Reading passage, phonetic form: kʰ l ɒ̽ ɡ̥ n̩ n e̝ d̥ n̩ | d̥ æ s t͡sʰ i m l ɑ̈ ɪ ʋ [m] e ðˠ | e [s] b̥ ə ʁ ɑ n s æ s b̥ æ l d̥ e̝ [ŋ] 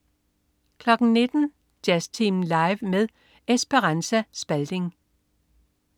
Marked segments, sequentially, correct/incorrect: correct, correct, correct

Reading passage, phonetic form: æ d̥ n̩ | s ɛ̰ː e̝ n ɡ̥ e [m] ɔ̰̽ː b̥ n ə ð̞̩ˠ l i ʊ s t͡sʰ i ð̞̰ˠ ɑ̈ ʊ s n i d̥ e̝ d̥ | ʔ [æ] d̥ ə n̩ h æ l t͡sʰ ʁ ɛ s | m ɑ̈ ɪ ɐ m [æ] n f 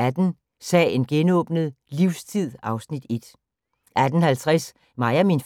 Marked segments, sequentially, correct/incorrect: incorrect: n, correct, incorrect: i

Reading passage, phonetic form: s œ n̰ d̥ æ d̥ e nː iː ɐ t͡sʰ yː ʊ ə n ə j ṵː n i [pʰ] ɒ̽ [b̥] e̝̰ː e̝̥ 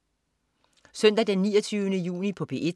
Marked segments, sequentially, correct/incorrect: correct, correct

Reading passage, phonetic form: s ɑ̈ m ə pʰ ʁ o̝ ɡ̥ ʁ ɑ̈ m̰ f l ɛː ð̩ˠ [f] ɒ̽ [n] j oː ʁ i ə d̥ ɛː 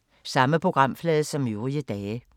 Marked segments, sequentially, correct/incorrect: incorrect: s, incorrect: m

